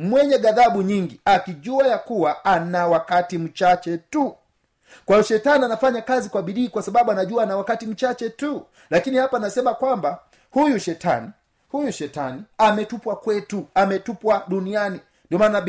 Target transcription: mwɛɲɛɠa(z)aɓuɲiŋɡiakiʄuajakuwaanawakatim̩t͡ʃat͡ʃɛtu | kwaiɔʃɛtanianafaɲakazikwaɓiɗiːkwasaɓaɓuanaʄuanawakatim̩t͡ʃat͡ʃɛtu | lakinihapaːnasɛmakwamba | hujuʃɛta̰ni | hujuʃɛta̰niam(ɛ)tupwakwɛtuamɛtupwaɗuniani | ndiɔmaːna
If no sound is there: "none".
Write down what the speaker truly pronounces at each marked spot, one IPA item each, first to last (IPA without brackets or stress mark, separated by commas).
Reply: ð, ɛ